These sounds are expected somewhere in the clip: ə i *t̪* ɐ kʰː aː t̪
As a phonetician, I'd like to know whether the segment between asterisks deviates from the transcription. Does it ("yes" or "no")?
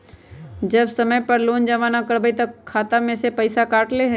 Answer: no